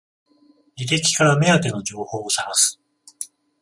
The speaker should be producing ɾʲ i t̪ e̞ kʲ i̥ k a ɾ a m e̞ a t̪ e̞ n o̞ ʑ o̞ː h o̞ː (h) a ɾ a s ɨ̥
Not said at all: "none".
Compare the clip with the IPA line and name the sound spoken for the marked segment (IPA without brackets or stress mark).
s